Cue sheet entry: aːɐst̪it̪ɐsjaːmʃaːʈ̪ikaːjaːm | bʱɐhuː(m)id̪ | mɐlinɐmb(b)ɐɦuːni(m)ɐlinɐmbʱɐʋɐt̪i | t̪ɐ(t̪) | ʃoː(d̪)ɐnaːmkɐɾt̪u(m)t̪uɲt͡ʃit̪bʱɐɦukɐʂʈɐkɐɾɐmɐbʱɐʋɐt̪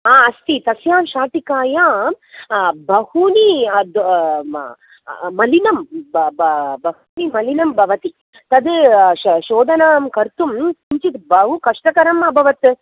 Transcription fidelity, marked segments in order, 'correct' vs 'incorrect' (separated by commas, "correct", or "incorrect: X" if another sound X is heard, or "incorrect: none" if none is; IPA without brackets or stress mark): incorrect: n, correct, correct, incorrect: d̪, correct, correct